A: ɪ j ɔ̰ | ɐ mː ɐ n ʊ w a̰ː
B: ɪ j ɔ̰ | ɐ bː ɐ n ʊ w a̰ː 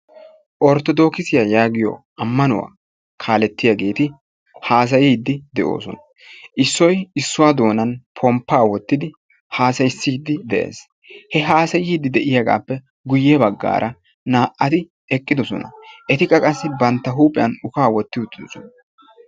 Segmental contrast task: A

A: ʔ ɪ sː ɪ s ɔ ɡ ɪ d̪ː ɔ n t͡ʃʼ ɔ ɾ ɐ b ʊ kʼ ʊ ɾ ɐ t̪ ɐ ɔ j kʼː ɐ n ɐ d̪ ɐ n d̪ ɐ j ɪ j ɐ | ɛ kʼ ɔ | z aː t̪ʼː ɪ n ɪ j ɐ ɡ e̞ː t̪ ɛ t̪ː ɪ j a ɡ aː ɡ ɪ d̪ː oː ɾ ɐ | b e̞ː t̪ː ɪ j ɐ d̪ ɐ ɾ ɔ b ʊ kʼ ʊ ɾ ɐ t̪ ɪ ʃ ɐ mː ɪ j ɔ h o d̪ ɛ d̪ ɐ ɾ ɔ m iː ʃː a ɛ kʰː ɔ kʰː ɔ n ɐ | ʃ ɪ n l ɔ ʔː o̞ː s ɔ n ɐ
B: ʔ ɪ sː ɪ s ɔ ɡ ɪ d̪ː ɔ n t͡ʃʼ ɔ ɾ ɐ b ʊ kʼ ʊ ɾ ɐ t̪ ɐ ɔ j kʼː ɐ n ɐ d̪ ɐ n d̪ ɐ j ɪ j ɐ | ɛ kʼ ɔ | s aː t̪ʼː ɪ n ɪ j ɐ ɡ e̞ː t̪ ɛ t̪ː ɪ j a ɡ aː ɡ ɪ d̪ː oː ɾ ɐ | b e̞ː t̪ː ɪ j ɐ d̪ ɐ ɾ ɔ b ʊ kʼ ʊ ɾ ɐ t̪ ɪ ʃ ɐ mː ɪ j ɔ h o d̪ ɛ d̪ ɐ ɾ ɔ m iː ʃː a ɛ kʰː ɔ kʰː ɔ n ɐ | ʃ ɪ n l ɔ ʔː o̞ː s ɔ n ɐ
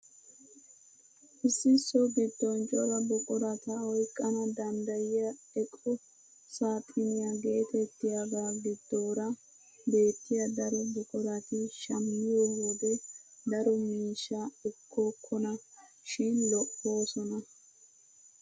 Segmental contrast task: B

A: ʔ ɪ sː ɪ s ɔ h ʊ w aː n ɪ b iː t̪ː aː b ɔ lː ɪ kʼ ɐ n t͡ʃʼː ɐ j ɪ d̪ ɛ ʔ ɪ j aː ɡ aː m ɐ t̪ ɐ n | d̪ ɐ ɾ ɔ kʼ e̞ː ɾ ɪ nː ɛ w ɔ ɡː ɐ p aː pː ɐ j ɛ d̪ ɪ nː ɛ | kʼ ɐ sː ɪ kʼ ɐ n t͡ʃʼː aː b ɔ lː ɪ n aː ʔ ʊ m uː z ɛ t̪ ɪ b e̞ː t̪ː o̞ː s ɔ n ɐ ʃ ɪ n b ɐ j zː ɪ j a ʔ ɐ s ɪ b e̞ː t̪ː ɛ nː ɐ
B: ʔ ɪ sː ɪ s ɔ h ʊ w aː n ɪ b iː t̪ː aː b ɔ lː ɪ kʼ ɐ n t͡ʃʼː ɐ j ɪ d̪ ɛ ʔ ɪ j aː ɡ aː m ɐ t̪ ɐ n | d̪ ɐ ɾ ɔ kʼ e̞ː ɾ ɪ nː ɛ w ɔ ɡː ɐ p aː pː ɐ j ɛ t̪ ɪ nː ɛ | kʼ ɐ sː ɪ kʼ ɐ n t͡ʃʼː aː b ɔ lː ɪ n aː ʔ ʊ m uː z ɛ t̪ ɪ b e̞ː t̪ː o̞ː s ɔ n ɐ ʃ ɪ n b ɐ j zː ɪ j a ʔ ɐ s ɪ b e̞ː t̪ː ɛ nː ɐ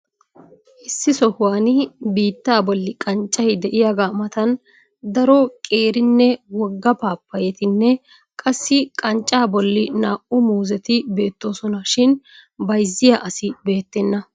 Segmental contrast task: B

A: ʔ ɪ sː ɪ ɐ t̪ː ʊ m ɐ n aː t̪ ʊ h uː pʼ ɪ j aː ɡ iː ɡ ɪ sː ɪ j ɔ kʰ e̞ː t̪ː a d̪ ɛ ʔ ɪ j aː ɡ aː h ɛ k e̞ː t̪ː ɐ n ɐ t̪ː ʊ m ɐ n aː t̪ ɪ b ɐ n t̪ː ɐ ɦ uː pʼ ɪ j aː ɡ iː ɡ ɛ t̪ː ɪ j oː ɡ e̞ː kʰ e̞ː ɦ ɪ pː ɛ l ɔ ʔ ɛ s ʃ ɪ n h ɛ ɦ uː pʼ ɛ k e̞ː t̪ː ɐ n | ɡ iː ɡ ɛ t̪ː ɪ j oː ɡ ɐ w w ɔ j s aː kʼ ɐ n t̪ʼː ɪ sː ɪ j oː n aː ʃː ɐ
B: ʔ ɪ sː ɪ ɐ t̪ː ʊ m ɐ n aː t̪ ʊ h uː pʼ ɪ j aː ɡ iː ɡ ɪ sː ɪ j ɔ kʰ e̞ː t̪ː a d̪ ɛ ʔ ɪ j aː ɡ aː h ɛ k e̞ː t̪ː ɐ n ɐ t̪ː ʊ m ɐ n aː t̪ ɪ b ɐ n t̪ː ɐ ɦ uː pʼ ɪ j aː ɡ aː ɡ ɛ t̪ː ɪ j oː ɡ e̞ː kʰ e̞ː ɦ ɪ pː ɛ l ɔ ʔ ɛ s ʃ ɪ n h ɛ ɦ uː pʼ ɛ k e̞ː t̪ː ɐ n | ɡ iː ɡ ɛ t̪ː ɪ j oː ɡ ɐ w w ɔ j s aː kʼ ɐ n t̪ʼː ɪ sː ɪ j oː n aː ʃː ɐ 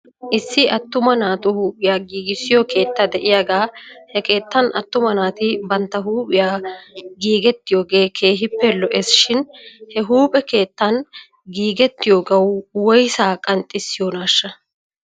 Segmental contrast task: A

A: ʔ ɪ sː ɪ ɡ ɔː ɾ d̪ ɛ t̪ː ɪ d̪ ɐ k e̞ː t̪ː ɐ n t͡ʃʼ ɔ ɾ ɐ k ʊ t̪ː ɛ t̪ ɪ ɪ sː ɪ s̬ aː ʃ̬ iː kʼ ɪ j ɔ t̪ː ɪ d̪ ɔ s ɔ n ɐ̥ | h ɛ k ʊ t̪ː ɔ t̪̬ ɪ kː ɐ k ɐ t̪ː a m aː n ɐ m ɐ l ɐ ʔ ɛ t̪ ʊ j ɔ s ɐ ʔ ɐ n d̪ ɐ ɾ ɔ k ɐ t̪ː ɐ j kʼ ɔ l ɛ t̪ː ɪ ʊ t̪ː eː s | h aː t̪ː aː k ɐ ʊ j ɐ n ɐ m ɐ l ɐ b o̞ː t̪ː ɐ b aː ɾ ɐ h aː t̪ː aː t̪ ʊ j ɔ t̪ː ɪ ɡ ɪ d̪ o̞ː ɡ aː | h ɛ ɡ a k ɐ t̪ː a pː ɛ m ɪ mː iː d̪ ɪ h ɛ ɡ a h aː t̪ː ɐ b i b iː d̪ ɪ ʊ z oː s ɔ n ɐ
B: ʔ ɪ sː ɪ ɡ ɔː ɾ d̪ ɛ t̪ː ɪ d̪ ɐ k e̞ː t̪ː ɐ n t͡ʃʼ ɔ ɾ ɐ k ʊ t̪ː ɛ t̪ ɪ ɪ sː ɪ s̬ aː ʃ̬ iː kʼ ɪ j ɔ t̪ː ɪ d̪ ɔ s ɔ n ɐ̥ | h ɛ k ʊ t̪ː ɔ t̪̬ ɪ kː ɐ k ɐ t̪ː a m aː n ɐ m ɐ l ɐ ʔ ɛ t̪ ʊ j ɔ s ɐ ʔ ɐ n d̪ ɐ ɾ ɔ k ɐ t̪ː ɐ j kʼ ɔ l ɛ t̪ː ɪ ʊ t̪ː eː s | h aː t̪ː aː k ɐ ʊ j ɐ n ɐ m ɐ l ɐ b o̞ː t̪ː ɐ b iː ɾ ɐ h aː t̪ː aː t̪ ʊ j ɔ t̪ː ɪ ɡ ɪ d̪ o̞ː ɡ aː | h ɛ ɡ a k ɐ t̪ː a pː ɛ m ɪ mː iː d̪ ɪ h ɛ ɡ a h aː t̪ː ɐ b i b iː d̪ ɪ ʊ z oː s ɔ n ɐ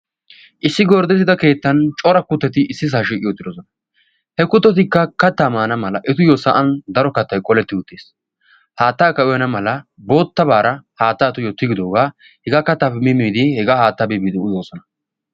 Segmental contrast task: A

